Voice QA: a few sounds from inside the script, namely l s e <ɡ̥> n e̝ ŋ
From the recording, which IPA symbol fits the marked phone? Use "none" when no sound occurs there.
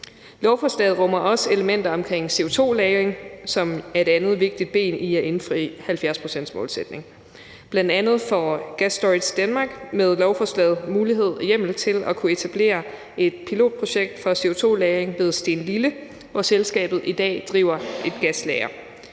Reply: d̥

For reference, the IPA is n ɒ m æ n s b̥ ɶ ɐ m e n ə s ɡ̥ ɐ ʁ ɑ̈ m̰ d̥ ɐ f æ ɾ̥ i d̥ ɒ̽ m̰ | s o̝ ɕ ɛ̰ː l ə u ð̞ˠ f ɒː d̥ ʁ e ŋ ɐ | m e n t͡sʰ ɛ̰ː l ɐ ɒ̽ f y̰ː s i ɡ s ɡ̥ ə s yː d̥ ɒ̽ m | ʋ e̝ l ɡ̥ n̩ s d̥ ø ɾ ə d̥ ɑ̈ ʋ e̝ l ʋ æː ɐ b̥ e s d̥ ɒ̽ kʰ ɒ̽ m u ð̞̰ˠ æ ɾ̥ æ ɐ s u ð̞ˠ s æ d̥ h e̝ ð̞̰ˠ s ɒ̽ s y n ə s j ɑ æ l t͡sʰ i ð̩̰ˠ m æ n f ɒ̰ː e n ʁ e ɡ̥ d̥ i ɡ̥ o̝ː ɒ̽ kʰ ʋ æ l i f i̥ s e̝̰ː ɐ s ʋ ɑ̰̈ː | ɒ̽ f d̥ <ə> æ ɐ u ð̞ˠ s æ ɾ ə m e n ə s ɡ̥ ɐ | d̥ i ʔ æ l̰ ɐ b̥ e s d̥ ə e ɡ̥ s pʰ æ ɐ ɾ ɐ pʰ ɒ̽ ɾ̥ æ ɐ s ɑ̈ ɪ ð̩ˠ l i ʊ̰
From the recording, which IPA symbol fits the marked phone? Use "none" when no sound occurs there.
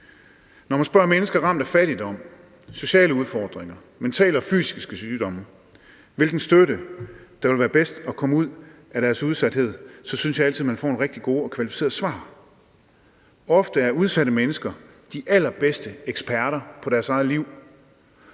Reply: ə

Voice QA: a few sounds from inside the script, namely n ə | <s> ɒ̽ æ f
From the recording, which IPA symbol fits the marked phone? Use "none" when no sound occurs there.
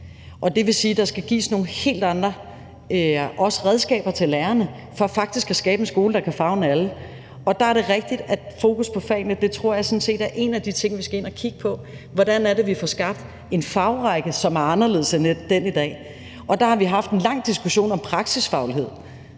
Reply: f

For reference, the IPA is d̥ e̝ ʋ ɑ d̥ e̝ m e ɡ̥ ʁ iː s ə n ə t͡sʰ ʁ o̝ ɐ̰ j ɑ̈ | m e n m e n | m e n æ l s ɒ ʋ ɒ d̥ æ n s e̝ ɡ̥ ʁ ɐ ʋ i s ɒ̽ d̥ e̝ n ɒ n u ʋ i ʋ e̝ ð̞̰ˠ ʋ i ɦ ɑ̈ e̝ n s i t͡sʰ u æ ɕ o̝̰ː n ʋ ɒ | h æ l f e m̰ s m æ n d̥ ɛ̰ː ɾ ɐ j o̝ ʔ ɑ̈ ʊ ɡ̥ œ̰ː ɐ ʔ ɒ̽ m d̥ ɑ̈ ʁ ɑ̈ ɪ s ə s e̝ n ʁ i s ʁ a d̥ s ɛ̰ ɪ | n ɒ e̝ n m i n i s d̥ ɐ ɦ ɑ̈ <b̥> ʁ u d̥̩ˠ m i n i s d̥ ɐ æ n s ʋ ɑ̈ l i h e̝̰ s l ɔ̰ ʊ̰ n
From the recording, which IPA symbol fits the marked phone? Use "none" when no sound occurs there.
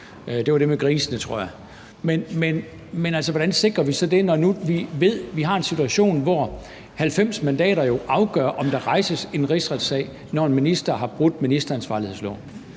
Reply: b̥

